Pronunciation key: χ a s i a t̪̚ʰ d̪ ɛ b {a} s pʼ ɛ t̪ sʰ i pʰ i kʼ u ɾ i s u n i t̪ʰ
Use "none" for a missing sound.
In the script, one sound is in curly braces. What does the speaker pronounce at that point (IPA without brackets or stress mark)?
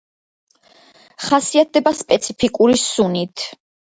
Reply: a